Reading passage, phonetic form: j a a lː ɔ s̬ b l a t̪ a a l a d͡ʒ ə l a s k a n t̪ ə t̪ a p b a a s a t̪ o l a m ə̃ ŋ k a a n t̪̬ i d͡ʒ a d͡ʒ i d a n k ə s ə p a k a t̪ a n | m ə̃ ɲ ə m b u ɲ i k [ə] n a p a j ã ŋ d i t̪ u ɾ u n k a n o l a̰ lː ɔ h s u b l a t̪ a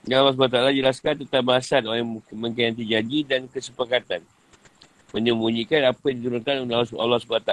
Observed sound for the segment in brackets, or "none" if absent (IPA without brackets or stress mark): a